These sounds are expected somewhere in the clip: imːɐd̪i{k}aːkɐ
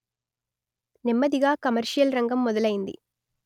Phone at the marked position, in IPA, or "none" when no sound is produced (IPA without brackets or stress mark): ɡ